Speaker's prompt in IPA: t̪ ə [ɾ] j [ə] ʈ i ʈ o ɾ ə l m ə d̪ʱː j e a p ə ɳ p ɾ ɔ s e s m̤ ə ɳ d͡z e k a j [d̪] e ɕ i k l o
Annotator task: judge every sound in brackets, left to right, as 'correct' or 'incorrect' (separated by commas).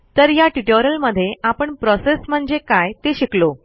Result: correct, incorrect, incorrect